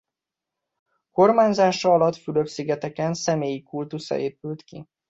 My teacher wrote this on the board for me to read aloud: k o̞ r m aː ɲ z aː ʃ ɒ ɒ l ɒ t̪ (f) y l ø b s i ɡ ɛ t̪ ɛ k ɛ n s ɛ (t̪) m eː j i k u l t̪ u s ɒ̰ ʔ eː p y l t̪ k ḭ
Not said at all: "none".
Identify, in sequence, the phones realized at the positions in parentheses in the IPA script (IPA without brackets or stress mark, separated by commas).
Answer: f, none